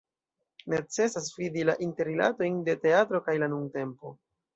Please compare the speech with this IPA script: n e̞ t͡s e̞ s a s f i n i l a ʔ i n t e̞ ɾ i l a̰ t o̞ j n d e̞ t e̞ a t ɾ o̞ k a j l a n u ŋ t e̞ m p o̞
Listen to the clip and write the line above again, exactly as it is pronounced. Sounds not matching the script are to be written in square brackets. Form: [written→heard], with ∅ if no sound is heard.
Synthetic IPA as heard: n e̞ t͡s e̞ s a s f i [n→d] i l a ʔ i n t e̞ ɾ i l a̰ t o̞ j n d e̞ t e̞ a t ɾ o̞ k a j l a n u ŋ t e̞ m p o̞